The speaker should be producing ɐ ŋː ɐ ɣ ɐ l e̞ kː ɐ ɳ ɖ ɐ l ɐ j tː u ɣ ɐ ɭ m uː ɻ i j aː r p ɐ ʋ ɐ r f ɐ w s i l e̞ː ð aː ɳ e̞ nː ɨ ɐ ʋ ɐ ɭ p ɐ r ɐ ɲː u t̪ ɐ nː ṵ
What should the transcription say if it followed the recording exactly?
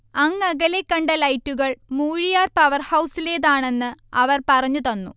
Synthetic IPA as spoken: ɐ ŋː ɐ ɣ ɐ l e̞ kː ɐ ɳ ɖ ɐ l ɐ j tː u ɣ ɐ ɭ m uː ɻ i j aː r p ɐ ʋ ɐ r h ɐ w s i l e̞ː ð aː ɳ e̞ nː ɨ ɐ ʋ ɐ r p ɐ r ɐ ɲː u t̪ ɐ nː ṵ